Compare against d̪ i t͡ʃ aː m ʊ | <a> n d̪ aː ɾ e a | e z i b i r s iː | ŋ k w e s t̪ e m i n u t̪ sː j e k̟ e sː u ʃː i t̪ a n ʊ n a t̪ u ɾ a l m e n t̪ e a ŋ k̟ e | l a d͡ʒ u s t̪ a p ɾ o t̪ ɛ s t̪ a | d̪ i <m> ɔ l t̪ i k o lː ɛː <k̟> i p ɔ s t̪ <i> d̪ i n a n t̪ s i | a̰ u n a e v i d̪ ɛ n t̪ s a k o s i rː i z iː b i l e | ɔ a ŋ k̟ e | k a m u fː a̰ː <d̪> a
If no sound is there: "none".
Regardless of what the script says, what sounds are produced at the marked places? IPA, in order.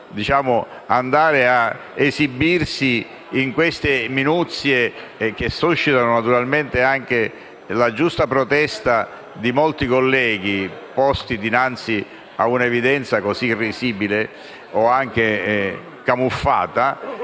a, m, ɡ̟, i, t̪

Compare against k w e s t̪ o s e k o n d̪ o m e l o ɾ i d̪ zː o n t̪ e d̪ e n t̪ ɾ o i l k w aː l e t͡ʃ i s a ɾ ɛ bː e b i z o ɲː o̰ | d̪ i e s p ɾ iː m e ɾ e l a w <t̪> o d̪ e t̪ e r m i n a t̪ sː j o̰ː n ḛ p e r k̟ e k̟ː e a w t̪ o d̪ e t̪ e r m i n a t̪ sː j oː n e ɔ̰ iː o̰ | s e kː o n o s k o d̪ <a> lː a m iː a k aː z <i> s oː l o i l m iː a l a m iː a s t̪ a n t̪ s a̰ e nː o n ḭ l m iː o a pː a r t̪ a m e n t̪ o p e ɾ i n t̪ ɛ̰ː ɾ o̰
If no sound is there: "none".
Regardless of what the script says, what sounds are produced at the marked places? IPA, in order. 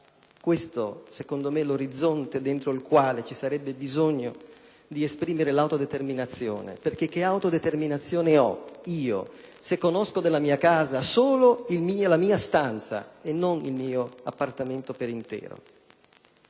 t̪, e, a

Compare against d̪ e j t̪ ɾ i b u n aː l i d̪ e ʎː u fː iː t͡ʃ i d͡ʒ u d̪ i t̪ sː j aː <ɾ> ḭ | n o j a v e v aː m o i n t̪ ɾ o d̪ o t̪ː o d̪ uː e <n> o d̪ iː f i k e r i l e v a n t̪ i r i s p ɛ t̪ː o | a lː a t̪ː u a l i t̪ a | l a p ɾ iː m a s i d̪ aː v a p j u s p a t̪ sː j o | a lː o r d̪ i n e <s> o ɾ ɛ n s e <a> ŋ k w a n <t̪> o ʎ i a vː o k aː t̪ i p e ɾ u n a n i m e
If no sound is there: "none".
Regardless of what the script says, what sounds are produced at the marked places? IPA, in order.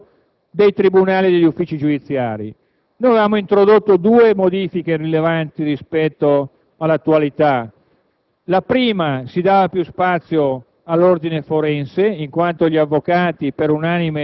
ɾ, m, f, i, t̪

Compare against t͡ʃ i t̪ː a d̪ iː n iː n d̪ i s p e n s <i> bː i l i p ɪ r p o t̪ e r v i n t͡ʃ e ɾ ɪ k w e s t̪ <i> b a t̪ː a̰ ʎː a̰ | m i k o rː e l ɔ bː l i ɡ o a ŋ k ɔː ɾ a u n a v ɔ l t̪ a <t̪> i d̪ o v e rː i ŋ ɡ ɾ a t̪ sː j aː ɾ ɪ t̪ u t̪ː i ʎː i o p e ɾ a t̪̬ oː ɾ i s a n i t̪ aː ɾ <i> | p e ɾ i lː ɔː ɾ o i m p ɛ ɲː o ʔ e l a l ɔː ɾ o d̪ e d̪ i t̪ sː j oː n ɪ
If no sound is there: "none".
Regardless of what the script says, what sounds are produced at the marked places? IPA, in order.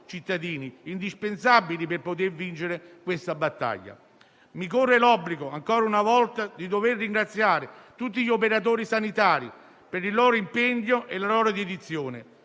a, a, d̪, i

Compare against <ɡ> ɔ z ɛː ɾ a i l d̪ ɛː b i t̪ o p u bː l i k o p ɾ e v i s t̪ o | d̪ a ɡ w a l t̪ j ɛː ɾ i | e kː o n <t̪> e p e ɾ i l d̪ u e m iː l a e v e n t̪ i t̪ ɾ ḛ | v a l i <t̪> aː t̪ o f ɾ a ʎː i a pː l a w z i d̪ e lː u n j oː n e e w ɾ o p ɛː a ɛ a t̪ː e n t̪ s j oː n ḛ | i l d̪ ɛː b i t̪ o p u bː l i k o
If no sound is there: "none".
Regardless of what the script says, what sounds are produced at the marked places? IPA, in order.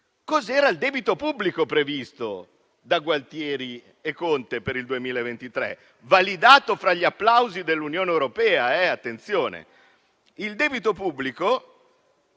k, t̪, d̪

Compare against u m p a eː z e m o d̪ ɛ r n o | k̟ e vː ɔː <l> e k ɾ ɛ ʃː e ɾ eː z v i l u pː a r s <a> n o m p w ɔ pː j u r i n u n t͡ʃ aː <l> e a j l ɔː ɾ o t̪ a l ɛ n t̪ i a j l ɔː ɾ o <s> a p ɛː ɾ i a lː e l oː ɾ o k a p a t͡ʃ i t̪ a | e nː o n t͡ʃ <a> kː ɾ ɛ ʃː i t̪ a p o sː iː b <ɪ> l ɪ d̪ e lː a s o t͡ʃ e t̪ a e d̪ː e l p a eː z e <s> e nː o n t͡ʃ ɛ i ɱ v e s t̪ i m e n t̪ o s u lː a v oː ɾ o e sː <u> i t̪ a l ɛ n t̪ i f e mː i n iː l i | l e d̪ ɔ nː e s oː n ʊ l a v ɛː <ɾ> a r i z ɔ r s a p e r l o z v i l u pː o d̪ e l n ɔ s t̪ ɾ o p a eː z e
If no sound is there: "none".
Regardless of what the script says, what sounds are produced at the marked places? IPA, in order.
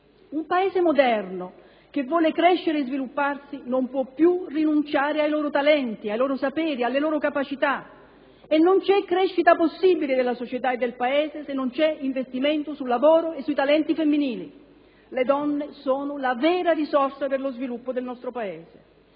l, i, ɾ, s, ɛ, i, s, u, ɾ

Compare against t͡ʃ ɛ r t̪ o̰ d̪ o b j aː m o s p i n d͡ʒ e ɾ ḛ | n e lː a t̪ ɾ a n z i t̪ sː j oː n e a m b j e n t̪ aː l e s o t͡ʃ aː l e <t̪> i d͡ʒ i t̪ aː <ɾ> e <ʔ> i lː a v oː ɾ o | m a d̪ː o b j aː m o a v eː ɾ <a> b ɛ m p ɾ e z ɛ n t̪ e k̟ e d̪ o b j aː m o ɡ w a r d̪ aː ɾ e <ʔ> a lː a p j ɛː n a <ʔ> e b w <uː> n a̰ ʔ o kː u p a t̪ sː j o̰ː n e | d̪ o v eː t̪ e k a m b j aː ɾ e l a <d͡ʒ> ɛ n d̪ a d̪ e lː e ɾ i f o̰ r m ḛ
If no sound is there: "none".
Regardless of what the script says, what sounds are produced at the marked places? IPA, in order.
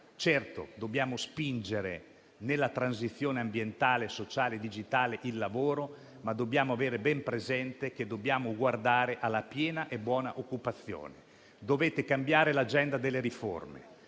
d̪, l, ʔ, e, ʔ, ʔ, ɔː, d͡ʒ

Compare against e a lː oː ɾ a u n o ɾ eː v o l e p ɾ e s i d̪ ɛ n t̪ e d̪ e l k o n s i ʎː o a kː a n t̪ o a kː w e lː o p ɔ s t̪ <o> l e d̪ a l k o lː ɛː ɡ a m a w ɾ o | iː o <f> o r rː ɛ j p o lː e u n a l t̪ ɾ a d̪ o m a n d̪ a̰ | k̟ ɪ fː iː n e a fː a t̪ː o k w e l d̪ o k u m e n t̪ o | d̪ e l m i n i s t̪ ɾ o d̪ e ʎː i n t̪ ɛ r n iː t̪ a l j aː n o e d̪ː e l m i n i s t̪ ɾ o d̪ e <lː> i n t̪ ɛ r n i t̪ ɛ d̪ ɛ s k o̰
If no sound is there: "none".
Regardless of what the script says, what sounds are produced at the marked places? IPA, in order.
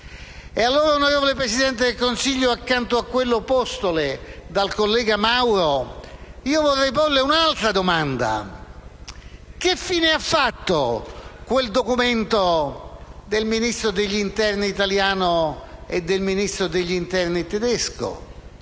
o, v, ʎː

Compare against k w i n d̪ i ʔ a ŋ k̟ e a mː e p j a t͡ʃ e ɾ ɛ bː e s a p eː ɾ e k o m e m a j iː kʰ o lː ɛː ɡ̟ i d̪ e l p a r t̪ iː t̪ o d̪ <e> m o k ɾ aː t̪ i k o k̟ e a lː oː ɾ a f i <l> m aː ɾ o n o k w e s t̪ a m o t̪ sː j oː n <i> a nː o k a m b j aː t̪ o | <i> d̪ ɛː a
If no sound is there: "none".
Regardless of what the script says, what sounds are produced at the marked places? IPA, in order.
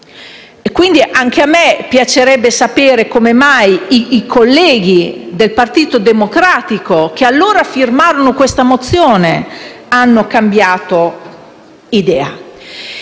e, r, e, i

